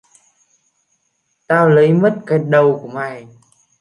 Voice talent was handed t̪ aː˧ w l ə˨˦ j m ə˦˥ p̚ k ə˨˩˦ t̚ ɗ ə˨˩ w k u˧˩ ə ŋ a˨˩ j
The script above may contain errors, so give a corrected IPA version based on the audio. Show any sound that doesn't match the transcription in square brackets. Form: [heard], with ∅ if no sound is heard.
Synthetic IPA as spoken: t̪ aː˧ w l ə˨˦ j m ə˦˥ [t̚] k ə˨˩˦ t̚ ɗ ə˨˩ w k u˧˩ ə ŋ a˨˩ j